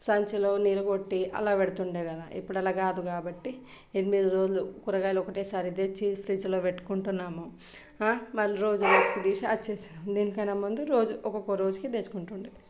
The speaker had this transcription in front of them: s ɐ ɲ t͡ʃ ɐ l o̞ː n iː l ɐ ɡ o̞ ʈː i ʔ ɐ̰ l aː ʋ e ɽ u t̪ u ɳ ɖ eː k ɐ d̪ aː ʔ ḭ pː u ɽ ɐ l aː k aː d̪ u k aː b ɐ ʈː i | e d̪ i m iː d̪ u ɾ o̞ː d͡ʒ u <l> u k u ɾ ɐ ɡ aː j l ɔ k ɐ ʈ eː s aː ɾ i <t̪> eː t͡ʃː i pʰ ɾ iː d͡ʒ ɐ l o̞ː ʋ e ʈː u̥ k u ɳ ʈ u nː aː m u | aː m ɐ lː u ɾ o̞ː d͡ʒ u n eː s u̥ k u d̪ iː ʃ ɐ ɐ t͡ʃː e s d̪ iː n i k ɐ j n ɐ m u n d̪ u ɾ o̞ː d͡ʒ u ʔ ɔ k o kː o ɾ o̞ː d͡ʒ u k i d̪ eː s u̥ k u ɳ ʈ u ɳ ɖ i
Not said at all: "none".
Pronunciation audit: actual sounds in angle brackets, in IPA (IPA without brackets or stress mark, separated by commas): l, d̪